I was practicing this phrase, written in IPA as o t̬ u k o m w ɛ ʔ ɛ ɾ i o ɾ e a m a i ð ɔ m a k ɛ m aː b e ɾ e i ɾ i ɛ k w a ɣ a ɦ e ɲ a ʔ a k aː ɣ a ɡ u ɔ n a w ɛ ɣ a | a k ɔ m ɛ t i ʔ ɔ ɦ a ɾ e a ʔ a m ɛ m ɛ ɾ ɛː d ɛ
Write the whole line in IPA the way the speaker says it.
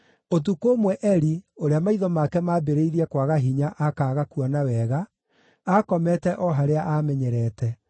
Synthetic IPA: o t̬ u k o m w ɛ ʔ ɛ ɾ i o ɾ e a m a i ð ɔ m a k ɛ m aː b e ɾ e i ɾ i ɛ k w a ɣ a ɦ i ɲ a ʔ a k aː ɣ a k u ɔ n a w ɛ ɣ a | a k ɔ m ɛ t ɛ ʔ ɔ ɦ a ɾ e a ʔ a m ɛ ɲ ɛ ɾ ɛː t ɛ